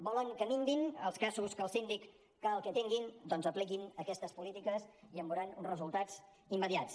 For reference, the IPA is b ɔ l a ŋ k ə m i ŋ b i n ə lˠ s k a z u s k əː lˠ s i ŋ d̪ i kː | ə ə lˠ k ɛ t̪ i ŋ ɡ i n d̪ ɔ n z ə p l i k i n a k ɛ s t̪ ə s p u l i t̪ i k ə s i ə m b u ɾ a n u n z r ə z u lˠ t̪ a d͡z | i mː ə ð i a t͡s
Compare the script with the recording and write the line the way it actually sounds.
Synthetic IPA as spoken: b ɔ l ə ŋ k ə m i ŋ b i n ə lˠ s k a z u s k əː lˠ s i n d̪ i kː | ə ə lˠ k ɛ t̪ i ŋ ɡ i n d̪ ɔ n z ə p l i k i n ə k ɛ s t̪ ə s p u l i t̪ i k ə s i ə m b u ɾ a n u n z r ə z u lˠ t̪ a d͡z | i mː ə ð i a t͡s